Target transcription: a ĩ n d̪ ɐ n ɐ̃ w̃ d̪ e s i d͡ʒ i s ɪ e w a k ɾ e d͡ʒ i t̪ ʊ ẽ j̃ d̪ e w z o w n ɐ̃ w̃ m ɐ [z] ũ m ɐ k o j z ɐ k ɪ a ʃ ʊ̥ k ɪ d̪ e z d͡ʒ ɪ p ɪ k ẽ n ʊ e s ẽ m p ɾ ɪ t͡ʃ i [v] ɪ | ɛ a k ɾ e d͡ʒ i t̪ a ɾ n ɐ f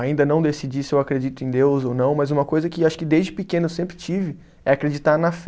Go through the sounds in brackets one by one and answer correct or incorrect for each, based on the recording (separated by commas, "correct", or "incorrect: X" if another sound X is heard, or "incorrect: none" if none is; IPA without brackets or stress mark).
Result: correct, correct